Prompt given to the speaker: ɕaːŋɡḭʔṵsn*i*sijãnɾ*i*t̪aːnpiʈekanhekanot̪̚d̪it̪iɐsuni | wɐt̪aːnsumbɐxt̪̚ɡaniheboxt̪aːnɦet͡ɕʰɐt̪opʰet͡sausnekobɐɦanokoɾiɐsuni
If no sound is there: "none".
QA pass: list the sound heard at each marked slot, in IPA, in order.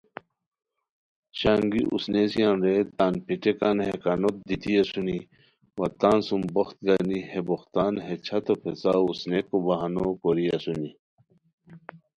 e, e

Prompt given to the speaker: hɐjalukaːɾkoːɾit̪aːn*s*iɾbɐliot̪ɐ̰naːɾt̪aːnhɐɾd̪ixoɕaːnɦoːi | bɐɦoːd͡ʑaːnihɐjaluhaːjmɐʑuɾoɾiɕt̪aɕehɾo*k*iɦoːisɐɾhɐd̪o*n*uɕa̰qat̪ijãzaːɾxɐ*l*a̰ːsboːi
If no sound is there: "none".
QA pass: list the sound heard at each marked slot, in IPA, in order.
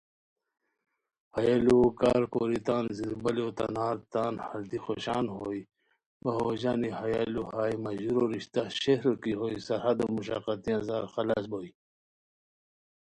z, k, m, l

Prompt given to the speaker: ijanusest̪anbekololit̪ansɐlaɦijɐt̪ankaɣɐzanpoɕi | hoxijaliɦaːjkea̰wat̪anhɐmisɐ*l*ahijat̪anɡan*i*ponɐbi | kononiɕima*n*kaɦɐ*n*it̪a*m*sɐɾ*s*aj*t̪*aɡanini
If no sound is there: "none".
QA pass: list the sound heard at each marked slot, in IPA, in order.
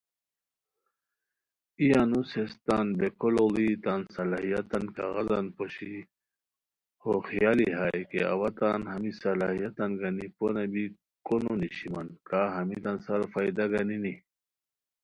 l, i, n, m, n, f, d̪

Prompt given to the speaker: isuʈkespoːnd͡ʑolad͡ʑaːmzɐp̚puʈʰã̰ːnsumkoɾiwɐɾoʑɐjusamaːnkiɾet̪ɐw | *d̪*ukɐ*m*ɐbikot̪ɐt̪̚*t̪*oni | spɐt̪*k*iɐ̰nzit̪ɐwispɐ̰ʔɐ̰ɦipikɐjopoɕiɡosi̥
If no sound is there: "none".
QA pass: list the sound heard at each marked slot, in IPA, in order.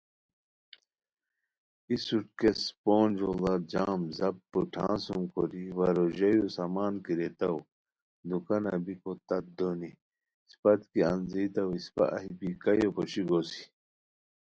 d̪, n, d̪, k

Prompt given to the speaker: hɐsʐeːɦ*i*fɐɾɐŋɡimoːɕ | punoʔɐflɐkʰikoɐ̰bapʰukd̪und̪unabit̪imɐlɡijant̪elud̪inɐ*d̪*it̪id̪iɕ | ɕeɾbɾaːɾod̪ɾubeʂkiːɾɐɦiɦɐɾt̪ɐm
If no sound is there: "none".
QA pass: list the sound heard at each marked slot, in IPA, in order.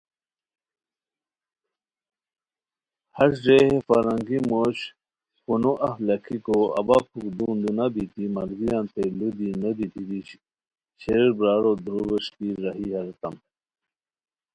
e, d̪

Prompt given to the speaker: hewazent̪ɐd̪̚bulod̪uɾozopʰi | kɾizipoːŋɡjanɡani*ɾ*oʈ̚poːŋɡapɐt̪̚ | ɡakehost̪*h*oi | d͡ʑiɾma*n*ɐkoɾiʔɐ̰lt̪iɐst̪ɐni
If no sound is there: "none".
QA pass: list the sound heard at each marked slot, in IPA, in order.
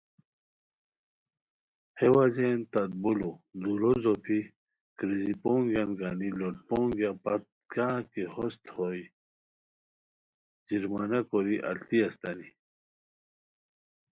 l, h, n

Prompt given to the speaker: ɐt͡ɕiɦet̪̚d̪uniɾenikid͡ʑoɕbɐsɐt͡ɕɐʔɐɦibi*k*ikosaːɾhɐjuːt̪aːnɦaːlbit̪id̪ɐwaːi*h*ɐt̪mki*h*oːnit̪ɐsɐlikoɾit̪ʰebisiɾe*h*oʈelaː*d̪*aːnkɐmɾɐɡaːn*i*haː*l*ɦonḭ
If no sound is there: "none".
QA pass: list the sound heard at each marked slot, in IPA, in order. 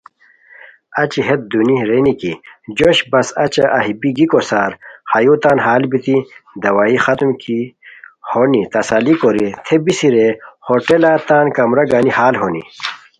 ɡ, x, h, h, t̪, i, l

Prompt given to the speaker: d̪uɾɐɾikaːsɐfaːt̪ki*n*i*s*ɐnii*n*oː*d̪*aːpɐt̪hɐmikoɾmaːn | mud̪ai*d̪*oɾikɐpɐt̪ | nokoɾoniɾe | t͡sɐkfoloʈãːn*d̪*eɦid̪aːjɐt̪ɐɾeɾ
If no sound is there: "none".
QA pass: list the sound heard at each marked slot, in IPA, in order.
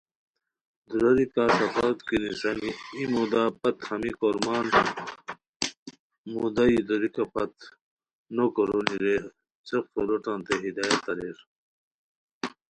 n, s, m, d̪, d̪, t̪

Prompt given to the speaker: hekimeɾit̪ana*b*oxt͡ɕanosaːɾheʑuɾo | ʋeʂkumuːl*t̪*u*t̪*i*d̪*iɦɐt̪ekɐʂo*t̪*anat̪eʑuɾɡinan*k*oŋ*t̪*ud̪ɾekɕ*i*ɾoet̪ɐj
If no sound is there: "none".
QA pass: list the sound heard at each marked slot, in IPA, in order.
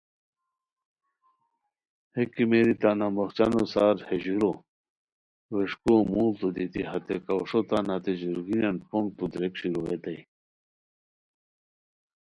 m, t̪, d̪, t̪, t̪, p, t̪, i

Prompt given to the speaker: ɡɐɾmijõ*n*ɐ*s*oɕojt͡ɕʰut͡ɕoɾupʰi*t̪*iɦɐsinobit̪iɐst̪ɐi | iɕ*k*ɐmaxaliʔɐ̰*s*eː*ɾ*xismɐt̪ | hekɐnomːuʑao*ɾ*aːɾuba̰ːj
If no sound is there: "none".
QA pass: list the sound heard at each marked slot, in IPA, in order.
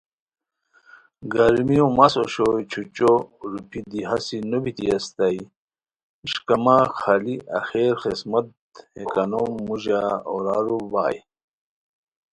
m, s, d̪, k, x, ɾ, ɾ

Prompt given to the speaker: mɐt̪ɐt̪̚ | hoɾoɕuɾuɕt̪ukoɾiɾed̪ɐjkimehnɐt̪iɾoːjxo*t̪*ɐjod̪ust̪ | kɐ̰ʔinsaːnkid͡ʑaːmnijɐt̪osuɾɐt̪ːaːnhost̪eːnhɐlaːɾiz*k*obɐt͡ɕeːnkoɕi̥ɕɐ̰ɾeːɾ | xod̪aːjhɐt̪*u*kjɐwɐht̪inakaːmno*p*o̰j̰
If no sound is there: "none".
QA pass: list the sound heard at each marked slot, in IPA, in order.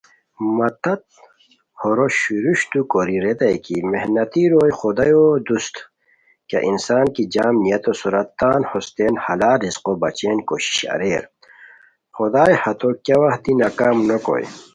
d̪, q, o, k

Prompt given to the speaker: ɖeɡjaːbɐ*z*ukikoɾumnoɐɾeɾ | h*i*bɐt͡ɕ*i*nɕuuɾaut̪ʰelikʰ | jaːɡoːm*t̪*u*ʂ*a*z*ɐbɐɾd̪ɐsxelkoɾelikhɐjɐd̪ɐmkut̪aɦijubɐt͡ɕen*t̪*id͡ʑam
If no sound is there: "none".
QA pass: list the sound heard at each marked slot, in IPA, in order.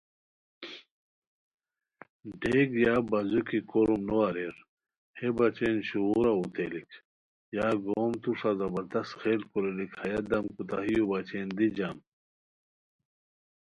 z, e, e, t̪, ʂ, z, d̪

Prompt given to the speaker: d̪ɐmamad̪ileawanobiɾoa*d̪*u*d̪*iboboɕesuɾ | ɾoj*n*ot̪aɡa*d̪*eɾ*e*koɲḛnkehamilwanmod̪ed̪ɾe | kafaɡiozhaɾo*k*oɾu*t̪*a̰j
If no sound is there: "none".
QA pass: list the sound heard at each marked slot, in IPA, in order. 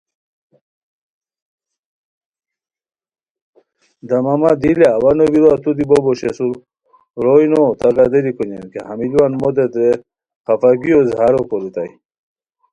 t̪, d̪, n, d̪, i, k, t̪

